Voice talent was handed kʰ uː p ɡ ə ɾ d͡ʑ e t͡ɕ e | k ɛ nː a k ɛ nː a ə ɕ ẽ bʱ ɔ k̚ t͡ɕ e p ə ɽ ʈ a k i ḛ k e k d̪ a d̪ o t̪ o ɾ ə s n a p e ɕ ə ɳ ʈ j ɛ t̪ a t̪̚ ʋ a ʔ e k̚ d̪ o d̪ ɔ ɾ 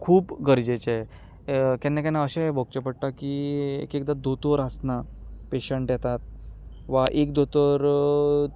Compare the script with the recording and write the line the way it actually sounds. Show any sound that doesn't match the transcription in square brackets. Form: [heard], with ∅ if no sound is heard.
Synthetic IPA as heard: kʰ uː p ɡ ə ɾ d͡ʑ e t͡ɕ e | k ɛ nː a k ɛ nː a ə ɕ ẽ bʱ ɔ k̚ t͡ɕ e p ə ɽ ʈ a k i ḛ k e k d̪ a d̪ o t̪ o ɾ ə s n a p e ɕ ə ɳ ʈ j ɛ t̪ a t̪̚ ʋ a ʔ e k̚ d̪ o [t̪] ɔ ɾ